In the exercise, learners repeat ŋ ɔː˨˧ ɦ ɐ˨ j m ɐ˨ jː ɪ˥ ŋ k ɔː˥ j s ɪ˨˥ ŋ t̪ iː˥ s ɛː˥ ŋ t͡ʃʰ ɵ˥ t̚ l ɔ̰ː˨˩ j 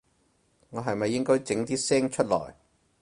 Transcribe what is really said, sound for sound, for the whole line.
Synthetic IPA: ŋ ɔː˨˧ ɦ ɐ˨ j m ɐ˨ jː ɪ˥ ŋ k ɔː˥ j t͡s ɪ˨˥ ŋ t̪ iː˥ s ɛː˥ ŋ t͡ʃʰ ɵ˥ t̚ l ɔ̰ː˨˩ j